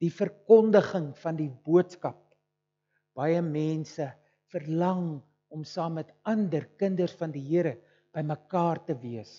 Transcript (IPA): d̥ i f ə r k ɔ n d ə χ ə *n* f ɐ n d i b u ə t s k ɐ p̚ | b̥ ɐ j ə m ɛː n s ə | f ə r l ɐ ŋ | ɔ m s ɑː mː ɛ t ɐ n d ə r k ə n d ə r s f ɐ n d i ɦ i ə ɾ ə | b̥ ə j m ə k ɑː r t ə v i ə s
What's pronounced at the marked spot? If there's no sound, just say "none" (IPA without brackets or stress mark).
ŋ